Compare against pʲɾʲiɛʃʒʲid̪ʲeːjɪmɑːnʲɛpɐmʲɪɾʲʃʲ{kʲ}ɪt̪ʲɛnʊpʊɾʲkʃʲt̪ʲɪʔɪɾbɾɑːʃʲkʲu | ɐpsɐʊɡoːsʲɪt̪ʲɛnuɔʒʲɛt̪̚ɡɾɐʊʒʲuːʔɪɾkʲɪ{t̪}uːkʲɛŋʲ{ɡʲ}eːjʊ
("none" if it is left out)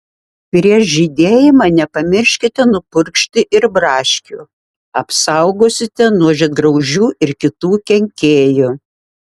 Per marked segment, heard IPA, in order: kʲ, t̪, kʲ

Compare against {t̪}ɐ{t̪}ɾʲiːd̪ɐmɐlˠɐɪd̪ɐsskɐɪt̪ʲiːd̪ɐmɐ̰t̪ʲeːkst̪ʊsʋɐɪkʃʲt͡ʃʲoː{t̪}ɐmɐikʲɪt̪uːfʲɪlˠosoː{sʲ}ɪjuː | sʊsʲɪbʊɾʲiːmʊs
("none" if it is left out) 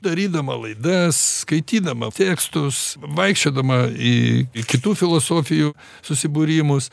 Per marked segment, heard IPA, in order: d̪, none, d̪, fʲ

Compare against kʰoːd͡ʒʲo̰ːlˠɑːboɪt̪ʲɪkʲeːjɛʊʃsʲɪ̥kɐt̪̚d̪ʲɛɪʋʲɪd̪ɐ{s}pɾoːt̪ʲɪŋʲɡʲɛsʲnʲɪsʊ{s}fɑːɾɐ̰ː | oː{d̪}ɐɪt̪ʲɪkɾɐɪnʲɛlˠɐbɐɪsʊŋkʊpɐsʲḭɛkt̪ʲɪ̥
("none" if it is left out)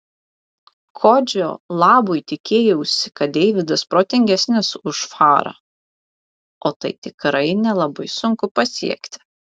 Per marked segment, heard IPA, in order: s, ʃ, t̪

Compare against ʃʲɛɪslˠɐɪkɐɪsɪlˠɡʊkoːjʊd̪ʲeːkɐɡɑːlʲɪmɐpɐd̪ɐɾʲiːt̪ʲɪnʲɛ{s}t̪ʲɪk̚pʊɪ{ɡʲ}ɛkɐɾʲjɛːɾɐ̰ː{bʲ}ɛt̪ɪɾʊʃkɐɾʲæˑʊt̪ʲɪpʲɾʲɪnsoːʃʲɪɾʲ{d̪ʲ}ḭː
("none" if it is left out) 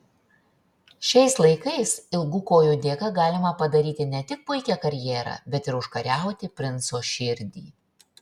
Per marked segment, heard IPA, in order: none, kʲ, bʲ, d̪ʲ

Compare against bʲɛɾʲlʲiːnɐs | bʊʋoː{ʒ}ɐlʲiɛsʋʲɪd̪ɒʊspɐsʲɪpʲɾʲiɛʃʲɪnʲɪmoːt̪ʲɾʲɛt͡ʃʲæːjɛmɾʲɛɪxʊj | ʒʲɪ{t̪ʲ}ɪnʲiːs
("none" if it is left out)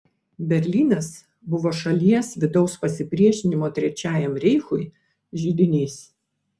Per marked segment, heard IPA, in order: ʃ, d̪ʲ

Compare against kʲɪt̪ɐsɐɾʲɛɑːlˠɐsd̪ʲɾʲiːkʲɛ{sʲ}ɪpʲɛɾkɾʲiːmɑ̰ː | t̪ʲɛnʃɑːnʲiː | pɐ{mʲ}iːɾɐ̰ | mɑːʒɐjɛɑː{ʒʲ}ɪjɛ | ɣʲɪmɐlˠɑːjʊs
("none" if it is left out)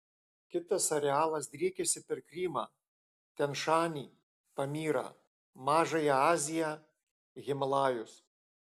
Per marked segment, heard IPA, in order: sʲ, mʲ, zʲ

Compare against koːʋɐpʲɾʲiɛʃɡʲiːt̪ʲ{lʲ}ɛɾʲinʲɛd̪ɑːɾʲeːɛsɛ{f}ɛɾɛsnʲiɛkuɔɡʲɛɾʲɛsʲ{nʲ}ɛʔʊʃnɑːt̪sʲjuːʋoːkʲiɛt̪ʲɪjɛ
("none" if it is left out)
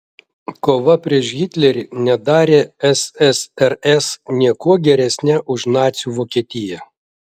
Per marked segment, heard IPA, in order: lʲ, s, nʲ

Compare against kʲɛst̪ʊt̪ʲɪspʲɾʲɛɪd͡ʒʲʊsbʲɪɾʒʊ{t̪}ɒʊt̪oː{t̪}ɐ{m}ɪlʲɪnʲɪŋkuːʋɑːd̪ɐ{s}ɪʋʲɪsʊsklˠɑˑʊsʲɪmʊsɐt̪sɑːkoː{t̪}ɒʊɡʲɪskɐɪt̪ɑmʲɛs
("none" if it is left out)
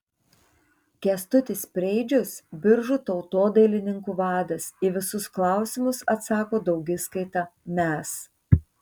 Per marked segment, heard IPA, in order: t̪, d̪, none, s, d̪

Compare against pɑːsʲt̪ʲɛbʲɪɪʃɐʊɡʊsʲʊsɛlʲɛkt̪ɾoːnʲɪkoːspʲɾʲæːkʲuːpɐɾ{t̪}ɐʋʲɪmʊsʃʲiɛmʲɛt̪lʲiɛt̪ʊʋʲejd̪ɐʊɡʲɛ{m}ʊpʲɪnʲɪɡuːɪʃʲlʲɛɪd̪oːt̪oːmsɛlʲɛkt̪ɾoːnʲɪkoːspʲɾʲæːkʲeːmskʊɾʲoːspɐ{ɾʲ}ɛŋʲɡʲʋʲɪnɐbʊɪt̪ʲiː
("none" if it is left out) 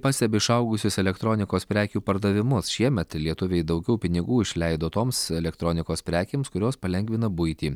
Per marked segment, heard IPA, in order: d̪, none, lʲ

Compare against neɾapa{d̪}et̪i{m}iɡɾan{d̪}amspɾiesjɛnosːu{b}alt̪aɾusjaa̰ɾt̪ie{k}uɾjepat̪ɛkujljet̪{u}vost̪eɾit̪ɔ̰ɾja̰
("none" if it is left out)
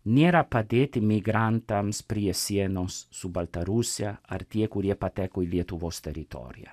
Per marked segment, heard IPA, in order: d̪, m, t̪, b, k, u

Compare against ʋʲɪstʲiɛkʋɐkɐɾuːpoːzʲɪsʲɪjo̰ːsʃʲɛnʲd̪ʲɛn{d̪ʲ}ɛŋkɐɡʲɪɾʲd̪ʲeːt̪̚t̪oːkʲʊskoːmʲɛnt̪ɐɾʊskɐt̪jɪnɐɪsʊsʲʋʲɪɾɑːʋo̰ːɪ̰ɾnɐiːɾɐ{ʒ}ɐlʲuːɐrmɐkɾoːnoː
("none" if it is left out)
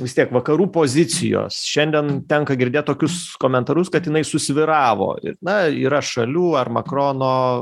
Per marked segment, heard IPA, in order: t̪ʲ, ʃ

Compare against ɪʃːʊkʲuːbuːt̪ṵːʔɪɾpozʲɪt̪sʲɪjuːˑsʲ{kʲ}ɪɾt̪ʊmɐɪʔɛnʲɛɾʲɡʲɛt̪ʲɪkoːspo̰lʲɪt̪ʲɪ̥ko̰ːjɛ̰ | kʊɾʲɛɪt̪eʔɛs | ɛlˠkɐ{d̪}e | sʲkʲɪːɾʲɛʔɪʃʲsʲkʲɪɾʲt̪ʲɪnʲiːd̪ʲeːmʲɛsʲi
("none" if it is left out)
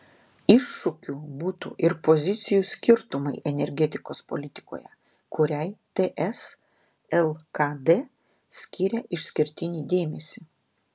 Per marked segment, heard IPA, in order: kʲ, d̪

